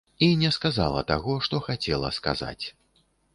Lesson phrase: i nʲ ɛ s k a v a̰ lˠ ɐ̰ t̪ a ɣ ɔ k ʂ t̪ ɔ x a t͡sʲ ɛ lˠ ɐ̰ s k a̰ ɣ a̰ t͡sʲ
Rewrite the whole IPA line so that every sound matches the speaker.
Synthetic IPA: i nʲ ɛ s k a z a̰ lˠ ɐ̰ t̪ a ɣ ɔ ʂ t̪ ɔ x a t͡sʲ ɛ lˠ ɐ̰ s k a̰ z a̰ t͡sʲ